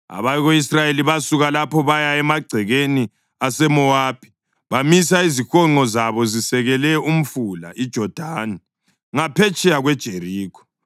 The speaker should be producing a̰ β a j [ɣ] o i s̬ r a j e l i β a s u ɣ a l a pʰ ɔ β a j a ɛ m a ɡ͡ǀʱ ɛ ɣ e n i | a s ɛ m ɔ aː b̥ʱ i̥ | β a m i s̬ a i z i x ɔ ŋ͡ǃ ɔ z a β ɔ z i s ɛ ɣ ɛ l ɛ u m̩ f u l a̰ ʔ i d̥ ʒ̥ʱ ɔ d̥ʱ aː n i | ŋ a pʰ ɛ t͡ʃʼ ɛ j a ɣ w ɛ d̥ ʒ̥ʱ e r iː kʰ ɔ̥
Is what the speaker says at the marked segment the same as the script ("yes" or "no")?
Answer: yes